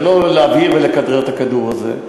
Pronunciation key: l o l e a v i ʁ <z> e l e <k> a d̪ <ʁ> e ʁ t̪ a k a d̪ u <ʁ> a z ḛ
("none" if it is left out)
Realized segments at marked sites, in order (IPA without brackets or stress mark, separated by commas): v, k, ʁ, ʁ